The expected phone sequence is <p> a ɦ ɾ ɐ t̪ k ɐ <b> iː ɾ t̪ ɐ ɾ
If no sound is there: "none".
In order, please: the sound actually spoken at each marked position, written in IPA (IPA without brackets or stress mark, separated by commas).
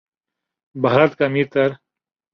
b, m